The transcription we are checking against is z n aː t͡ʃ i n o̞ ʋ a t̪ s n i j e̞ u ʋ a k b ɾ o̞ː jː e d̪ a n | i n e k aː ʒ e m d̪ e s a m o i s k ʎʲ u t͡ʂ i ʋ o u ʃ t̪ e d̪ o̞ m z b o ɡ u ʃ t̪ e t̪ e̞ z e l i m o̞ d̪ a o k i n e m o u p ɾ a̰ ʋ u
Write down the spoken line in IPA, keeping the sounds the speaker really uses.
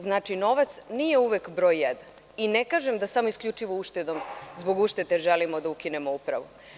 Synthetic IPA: z n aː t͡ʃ i n o̞ ʋ a t̪ s n i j e̞ u ʋ e k b ɾ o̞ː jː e d̪ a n | i n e k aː ʒ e m d̪ a s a m o i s k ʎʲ u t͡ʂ i ʋ o u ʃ t̪ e d̪ o̞ m z b o ɡ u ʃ t̪ e t̪ e̞ ʒ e l i m o̞ d̪ a u k i n e m o u p ɾ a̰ ʋ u